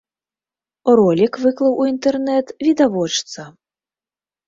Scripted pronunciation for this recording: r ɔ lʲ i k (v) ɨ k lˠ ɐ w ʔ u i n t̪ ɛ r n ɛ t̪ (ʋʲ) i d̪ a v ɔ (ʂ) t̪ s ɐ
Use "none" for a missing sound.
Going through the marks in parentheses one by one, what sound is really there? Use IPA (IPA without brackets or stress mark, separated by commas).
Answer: v, vʲ, t͡ʂ